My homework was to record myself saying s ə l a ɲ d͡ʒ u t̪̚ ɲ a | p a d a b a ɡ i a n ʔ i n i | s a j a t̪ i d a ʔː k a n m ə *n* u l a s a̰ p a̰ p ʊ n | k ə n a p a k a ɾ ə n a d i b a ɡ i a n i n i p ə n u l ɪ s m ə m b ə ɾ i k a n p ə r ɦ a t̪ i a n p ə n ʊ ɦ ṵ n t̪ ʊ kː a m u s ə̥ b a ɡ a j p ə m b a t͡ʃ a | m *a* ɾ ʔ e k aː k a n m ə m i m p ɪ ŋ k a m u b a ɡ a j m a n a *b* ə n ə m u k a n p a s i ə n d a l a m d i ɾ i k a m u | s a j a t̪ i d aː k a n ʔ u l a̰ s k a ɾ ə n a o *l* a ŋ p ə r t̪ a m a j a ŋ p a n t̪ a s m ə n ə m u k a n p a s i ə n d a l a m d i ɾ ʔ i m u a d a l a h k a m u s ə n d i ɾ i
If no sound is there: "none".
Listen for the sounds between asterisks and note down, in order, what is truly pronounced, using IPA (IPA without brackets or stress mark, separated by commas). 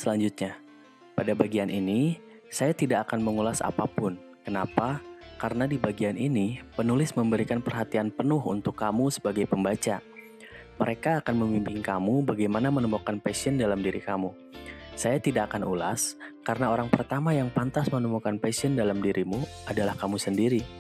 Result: ŋ, ə, m, ɾ